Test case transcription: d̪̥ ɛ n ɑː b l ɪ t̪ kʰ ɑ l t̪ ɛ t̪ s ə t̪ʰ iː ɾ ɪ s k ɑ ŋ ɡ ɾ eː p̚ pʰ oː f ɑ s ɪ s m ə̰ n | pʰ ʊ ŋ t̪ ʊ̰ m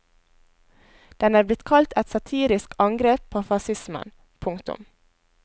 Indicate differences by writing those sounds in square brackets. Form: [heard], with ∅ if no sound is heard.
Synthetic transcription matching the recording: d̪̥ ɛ n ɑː b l ɪ t̪ kʰ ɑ l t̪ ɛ t̪ s [ɑ] t̪ʰ iː ɾ ɪ s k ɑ ŋ ɡ ɾ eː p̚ pʰ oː f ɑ s ɪ s m ə̰ n | pʰ ʊ ŋ t̪ ʊ̰ m